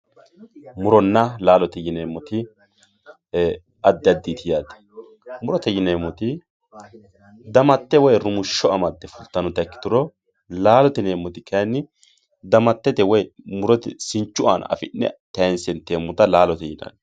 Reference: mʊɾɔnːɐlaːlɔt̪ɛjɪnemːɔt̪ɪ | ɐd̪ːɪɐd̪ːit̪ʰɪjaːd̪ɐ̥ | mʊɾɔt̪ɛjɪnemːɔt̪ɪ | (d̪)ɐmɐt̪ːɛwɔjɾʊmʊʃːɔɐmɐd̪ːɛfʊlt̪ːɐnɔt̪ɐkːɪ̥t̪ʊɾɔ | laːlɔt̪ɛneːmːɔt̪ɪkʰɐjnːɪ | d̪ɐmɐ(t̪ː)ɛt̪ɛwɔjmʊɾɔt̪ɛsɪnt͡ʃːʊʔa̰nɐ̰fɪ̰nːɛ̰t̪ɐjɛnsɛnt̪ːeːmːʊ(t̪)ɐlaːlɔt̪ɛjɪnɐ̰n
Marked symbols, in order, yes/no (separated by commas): yes, yes, yes